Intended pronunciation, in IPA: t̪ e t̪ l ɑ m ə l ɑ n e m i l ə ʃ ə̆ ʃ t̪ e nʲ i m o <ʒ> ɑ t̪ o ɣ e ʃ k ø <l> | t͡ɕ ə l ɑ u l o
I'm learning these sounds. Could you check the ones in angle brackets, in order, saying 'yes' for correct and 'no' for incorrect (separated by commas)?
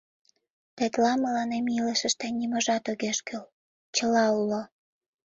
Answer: yes, yes